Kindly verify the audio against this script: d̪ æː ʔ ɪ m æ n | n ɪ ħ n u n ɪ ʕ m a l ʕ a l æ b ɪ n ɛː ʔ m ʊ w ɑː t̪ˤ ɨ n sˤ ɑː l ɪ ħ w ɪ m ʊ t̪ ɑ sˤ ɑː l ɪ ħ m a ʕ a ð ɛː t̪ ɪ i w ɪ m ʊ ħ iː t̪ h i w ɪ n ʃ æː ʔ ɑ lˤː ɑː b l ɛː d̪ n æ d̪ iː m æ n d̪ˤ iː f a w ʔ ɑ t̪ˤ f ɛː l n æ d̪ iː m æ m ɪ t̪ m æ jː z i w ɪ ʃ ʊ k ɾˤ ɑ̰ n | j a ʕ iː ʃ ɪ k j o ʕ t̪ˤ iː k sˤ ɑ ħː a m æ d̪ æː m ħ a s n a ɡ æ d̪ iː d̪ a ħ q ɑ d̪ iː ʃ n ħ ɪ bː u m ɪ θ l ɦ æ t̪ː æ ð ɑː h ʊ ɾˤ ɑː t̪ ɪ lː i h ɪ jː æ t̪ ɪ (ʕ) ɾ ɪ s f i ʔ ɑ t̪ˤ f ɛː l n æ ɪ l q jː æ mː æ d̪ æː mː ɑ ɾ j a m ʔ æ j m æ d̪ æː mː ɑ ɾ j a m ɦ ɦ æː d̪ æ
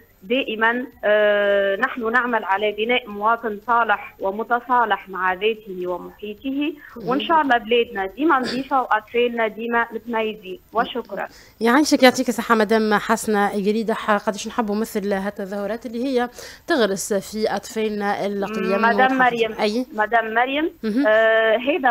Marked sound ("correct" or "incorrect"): incorrect